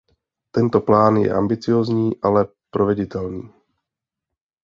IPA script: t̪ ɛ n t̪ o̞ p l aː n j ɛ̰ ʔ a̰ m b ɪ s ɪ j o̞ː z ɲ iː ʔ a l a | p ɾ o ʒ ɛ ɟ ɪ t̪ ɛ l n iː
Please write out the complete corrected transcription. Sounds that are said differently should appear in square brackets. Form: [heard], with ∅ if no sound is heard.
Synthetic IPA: t̪ ɛ n t̪ o̞ p l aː n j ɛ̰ ʔ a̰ m b ɪ [t͡s] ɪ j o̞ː z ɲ iː ʔ a l [ɛ] | p ɾ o [v] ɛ ɟ ɪ t̪ ɛ l n iː